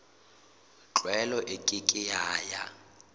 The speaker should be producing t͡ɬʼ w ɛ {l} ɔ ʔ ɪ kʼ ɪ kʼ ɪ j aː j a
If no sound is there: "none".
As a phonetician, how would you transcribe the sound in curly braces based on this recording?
l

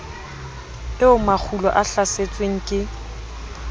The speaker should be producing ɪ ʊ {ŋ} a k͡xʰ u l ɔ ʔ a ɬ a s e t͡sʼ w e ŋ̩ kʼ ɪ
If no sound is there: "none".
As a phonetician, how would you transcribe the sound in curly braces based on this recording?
m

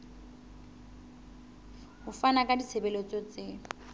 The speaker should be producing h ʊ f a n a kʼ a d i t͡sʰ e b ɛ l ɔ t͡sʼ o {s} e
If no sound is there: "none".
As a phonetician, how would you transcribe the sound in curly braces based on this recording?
t͡s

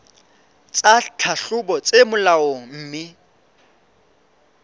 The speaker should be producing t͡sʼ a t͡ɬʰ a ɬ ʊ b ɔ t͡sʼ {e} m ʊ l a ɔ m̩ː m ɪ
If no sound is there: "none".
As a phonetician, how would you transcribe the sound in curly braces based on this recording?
e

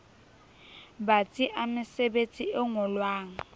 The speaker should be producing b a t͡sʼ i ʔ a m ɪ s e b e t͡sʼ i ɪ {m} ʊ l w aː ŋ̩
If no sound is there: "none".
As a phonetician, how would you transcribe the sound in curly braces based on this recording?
ŋ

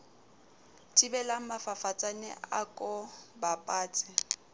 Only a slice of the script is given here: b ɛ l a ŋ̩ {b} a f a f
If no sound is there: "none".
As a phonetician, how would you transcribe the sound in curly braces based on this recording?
m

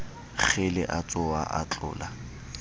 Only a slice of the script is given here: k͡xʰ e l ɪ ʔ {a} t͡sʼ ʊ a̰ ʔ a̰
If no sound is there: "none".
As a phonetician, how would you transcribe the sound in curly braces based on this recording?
a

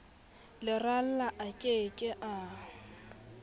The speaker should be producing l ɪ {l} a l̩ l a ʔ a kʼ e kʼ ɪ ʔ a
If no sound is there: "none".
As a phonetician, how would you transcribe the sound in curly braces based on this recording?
r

